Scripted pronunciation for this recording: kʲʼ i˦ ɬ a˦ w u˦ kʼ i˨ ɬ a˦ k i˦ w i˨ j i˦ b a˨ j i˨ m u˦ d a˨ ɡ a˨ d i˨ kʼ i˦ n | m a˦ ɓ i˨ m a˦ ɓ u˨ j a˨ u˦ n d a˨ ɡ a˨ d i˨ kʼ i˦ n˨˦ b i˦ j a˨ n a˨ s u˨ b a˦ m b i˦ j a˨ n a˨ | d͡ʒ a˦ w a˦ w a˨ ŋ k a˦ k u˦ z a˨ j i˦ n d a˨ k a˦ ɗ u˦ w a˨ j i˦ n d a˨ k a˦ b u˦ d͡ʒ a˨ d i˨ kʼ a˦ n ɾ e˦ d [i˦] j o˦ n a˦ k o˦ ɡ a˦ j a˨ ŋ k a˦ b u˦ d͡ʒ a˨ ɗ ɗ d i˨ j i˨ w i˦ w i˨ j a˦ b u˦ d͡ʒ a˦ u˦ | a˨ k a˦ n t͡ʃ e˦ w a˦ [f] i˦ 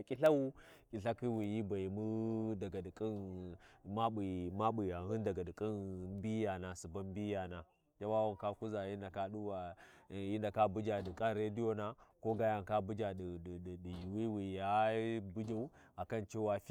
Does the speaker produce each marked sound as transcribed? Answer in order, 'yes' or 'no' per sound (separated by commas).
yes, yes